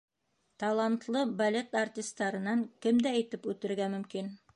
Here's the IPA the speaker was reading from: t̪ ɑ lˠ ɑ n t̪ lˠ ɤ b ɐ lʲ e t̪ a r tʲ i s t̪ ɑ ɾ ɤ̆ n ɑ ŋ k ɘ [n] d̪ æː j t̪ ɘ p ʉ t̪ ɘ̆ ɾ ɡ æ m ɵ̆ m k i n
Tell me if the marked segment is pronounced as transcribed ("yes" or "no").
no